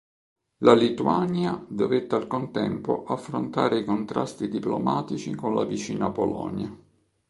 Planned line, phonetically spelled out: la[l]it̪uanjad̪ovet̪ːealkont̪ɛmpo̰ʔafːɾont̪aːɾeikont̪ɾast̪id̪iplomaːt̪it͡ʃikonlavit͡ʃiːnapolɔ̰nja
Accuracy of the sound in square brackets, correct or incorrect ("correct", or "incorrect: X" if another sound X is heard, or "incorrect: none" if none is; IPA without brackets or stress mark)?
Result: correct